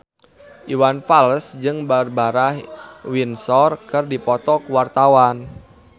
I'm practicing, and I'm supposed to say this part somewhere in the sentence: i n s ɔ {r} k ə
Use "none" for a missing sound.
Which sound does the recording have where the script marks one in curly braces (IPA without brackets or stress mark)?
r